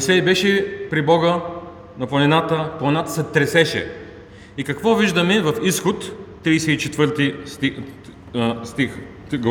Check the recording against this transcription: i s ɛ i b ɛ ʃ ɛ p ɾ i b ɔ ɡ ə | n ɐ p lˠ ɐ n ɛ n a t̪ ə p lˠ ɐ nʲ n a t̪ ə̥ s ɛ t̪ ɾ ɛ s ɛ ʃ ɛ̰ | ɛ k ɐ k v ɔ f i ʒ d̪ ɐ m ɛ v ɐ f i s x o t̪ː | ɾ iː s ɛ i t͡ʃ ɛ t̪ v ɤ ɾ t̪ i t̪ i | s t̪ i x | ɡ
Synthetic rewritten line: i s ɛ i b ɛ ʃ ɛ p ɾ i b ɔ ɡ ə | n ɐ p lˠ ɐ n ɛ n a t̪ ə p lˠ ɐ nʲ n a t̪ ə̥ s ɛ t̪ ɾ ɛ s ɛ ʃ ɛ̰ | i k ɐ k v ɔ v i ʒ d̪ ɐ m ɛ v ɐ f i s x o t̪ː | ɾ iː s ɛ i t͡ʃ ɛ t̪ v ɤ ɾ t̪ i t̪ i | s t̪ i x | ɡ